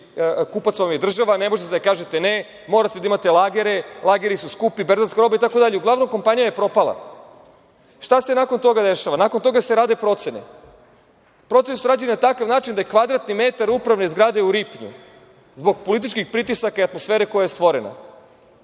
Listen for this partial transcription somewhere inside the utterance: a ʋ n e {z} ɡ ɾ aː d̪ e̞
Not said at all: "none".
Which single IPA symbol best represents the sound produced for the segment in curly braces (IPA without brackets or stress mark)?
z